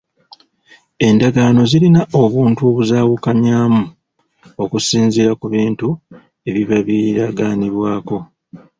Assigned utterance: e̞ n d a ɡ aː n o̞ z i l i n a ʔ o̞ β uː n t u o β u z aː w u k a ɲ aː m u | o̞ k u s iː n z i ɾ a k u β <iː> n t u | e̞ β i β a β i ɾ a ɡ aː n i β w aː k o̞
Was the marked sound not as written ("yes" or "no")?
no